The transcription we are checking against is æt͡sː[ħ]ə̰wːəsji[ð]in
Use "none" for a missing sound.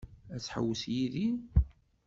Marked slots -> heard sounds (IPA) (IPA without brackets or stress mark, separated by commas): ħ, ð